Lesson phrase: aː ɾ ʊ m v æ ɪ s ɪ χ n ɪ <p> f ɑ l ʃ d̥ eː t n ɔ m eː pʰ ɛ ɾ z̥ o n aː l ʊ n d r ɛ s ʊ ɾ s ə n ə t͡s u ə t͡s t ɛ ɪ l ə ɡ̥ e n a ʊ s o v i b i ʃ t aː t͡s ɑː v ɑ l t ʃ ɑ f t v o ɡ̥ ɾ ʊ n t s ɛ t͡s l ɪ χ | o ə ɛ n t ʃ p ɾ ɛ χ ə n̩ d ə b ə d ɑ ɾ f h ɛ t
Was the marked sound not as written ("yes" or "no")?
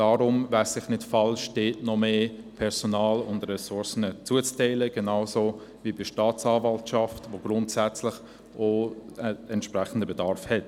yes